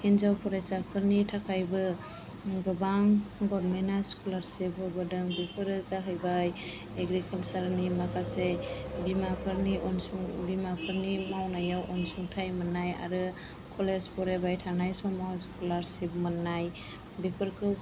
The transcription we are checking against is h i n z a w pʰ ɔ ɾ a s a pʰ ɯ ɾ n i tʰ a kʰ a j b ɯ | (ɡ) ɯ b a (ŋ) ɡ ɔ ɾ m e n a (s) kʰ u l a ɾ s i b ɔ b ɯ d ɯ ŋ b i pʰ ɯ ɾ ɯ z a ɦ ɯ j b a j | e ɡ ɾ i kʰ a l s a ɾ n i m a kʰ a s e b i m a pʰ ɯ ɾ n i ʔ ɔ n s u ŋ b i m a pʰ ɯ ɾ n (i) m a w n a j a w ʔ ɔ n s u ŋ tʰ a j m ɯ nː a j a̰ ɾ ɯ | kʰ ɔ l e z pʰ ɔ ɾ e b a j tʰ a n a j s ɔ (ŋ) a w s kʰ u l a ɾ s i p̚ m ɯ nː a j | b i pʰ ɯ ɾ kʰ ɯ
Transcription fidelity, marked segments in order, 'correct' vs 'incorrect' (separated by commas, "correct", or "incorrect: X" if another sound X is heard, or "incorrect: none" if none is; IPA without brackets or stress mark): correct, correct, correct, correct, incorrect: m